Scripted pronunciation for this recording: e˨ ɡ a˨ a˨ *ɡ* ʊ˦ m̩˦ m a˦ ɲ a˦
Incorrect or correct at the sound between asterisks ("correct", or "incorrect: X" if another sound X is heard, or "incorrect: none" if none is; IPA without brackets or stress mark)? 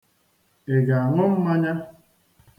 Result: incorrect: ŋ